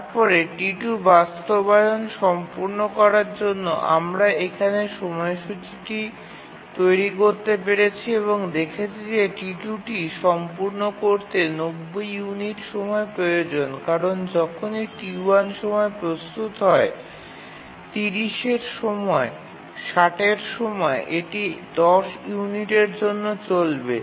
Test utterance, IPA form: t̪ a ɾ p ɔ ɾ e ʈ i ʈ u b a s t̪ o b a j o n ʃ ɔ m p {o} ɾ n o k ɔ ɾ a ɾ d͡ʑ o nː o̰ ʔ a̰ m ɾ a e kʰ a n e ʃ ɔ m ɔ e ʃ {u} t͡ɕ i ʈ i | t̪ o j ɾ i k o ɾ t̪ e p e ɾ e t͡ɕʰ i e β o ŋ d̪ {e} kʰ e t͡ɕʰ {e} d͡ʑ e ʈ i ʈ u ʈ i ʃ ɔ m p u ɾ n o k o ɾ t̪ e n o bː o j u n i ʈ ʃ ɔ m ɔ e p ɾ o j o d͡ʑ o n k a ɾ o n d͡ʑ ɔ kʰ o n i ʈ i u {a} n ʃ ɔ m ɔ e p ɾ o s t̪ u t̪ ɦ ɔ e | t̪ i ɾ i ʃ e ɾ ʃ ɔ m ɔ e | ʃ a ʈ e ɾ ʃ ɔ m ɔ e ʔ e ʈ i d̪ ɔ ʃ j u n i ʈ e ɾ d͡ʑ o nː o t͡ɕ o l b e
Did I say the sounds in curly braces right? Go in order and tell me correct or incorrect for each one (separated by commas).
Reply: incorrect, correct, correct, incorrect, correct